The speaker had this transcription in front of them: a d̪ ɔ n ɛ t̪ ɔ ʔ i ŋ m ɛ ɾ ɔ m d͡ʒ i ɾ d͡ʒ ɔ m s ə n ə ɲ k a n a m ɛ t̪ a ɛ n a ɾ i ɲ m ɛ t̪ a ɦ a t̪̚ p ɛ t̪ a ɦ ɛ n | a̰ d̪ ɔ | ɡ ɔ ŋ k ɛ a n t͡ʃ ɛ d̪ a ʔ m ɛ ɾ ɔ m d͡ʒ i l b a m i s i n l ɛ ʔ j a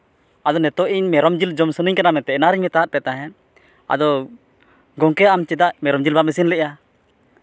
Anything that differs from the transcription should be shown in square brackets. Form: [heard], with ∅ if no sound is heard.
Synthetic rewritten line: a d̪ ɔ n ɛ t̪ ɔ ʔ i [ɲ] m ɛ ɾ ɔ m d͡ʒ i [l] d͡ʒ ɔ m s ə n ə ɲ k a n a m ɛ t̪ [ɛ] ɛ n a ɾ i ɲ m ɛ t̪ a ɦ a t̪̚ p ɛ t̪ a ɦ ɛ n | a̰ d̪ ɔ | ɡ ɔ ŋ k ɛ a [m] t͡ʃ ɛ d̪ a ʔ m ɛ ɾ ɔ m d͡ʒ i l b a m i s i n l ɛ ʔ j a